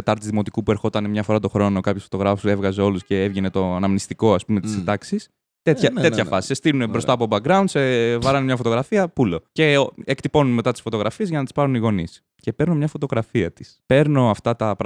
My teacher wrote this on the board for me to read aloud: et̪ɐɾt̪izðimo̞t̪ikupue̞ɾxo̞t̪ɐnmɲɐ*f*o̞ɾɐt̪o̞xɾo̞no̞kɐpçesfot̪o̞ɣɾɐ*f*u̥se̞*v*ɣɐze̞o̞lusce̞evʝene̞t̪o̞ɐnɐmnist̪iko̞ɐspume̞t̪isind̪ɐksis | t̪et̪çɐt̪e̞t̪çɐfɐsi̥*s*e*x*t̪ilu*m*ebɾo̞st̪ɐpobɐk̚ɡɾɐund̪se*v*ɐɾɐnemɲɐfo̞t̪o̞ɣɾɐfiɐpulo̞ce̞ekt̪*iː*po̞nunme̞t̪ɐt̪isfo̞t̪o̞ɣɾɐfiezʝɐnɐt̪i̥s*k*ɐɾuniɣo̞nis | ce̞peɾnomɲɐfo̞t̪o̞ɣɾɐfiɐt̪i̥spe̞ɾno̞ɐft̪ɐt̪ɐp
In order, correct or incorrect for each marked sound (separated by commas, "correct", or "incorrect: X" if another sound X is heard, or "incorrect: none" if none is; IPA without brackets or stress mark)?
correct, correct, correct, correct, incorrect: s, incorrect: n, correct, incorrect: i, incorrect: p